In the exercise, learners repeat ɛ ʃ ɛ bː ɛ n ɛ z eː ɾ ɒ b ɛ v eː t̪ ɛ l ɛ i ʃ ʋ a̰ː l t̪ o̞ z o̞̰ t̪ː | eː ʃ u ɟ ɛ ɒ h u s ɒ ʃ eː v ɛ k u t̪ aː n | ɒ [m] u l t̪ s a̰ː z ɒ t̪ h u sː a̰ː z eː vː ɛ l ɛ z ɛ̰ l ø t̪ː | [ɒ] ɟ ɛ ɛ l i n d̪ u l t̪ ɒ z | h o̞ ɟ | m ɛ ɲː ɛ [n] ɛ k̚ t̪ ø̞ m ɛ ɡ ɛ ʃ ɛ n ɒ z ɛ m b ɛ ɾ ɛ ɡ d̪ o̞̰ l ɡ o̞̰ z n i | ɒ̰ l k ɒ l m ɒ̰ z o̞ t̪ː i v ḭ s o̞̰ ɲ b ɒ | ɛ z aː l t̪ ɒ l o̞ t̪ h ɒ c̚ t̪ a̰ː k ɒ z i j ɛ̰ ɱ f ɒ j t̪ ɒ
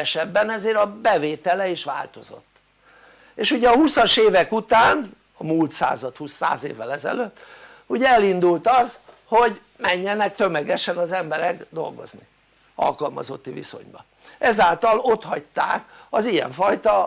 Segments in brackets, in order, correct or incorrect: correct, incorrect, correct

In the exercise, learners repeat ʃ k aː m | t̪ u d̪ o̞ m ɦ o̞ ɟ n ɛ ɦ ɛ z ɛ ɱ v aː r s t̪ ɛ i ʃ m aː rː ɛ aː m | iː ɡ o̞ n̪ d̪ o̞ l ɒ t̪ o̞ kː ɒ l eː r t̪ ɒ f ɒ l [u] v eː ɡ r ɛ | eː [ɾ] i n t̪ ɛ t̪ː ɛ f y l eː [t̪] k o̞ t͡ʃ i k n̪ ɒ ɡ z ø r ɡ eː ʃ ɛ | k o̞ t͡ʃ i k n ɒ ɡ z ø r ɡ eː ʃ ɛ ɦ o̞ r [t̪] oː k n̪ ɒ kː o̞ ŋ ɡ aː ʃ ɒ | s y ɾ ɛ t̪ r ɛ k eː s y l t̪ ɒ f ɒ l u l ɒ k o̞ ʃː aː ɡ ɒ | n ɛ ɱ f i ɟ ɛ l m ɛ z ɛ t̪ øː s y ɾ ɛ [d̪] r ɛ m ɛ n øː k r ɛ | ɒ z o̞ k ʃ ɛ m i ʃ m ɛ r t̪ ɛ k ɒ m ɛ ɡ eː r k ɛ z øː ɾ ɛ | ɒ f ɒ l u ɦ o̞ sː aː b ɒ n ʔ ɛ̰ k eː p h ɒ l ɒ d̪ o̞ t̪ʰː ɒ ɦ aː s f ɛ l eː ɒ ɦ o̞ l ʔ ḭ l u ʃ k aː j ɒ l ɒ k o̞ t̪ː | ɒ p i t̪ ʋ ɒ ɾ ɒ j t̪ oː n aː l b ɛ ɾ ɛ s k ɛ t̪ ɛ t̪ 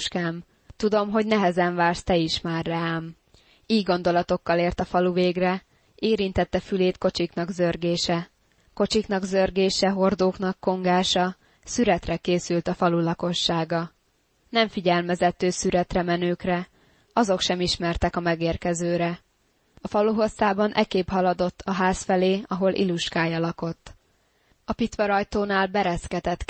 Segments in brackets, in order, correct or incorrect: correct, correct, correct, incorrect, incorrect

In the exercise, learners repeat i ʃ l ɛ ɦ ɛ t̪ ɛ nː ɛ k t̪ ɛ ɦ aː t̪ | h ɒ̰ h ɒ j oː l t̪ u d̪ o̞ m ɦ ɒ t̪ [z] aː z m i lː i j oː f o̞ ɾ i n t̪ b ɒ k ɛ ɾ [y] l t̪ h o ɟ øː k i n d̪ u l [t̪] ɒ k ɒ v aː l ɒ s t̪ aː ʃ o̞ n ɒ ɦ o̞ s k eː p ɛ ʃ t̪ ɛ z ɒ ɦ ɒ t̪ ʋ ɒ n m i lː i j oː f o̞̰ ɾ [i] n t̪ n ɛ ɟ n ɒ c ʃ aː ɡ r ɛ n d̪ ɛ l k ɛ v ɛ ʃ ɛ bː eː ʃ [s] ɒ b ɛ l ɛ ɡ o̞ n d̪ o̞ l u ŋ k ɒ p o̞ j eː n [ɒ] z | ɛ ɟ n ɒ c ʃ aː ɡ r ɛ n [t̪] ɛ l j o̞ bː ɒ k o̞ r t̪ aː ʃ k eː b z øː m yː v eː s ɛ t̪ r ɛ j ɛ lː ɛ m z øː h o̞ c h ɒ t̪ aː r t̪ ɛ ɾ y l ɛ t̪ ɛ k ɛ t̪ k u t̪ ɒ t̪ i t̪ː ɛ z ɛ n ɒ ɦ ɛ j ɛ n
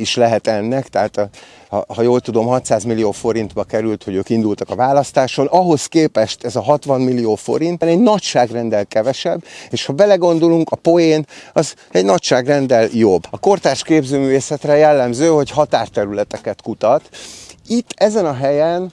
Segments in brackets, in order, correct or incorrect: incorrect, correct, correct, correct, incorrect, correct, incorrect

